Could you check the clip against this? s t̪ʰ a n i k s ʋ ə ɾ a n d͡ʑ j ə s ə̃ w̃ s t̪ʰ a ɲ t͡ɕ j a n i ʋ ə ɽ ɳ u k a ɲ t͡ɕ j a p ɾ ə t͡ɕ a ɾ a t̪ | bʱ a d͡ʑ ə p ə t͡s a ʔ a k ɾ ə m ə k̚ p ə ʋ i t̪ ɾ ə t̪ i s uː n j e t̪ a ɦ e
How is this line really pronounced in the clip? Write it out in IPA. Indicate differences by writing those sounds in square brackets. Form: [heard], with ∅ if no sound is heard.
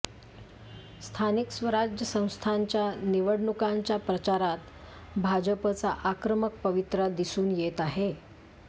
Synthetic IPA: s t̪ʰ a n i k s ʋ ə ɾ a [∅] d͡ʑ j ə s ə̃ w̃ s t̪ʰ a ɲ t͡ɕ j a n i ʋ ə ɽ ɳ u k a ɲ t͡ɕ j a p ɾ ə t͡ɕ a ɾ a t̪ | bʱ a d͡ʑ ə p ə t͡s a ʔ a k ɾ ə m ə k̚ p ə ʋ i t̪ ɾ ə [d̪] i s uː n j e t̪ a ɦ e

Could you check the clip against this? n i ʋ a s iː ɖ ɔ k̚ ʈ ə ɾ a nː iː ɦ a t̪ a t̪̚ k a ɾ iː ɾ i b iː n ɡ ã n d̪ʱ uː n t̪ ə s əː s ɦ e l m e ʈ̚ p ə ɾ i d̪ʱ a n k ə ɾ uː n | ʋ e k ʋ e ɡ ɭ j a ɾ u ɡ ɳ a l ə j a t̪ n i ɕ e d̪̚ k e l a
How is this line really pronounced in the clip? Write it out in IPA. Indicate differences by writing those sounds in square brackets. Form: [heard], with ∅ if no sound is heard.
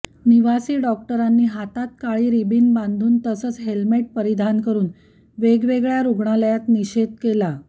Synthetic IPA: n i ʋ a s iː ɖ ɔ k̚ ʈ ə ɾ a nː iː ɦ a t̪ a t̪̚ k a [ɭ] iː ɾ i b iː n [b] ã n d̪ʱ uː n t̪ ə s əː [t͡s] ɦ e l m e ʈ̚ p ə ɾ i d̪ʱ a n k ə ɾ uː n | ʋ e [ɡ] ʋ e ɡ ɭ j a ɾ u ɡ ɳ a l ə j a t̪ n i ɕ e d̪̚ k e l a

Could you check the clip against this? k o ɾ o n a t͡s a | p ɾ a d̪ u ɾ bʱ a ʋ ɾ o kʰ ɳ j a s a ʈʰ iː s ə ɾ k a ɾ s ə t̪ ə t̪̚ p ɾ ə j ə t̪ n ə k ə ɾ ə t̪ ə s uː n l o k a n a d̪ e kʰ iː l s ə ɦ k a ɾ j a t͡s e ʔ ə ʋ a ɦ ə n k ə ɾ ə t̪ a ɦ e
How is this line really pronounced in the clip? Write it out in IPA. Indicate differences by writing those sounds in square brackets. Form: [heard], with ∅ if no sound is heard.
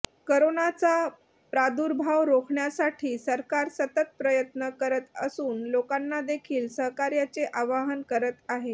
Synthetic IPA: k o ɾ o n a t͡s a | p ɾ a d̪ u ɾ bʱ a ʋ ɾ o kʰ ɳ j a s a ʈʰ iː s ə ɾ k a ɾ s ə t̪ ə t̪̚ p ɾ ə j ə t̪ n ə k ə ɾ ə t̪ ə s uː n l o k a [nː] a d̪ e kʰ iː l s ə ɦ k a ɾ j a t͡s e ʔ [a] ʋ a ɦ ə n k ə ɾ ə t̪ a ɦ e

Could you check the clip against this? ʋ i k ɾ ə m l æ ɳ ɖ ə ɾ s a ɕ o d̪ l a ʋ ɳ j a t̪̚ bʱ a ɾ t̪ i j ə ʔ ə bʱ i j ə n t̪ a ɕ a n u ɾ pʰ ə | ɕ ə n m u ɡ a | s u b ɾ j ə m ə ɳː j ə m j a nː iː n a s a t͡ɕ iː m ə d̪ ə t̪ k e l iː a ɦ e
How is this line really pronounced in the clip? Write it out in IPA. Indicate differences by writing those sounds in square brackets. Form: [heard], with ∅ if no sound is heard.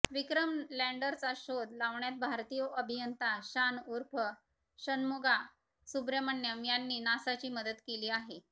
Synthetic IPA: ʋ i k ɾ ə m l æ ɳ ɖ ə ɾ [t͡s] a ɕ o d̪ l a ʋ ɳ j a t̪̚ bʱ a ɾ t̪ i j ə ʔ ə bʱ i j ə n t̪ a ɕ a n u ɾ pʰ ə | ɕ ə n m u ɡ a | s u b ɾ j ə m ə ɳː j ə m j a nː iː n a s a t͡ɕ iː m ə d̪ ə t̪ k e l iː a ɦ e

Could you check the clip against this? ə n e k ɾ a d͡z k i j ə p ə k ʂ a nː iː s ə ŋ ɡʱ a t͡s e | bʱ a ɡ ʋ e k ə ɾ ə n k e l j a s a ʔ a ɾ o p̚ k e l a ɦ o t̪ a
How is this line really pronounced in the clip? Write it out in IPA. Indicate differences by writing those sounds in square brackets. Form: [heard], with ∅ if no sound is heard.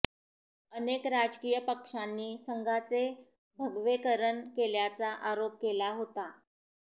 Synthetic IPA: ə n e k ɾ a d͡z k i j ə p ə k ʂ a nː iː s ə ŋ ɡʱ a t͡s e | bʱ [ə] ɡ ʋ e k ə ɾ ə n k e l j a [t͡s] a ʔ a ɾ o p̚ k e l a ɦ o t̪ a

